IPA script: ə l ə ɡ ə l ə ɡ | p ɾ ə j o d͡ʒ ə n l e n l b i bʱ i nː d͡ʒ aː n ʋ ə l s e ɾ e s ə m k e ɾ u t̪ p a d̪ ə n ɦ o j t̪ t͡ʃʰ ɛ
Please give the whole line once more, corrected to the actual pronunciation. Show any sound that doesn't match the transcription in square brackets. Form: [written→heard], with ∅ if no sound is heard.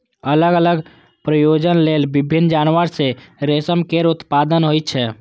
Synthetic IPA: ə l ə ɡ ə l ə ɡ | p ɾ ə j o d͡ʒ ə n l e [n→∅] l b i bʱ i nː d͡ʒ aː n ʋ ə [l→ɾ] s e ɾ e s ə m k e ɾ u t̪ p a d̪ ə n ɦ o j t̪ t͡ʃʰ ɛ